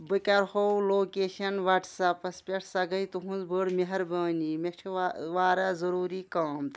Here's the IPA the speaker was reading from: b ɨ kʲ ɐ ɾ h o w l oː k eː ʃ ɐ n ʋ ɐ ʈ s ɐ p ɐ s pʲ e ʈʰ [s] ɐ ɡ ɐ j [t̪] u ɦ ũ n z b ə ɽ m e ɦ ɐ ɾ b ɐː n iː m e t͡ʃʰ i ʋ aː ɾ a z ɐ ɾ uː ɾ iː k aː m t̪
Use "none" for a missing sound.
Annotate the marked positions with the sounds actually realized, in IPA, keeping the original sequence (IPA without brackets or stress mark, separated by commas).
s, t̪